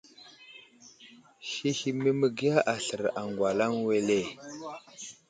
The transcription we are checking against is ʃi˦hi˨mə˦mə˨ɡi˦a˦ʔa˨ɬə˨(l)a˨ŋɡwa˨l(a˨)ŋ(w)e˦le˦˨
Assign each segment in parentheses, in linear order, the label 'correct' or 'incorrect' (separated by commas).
incorrect, incorrect, correct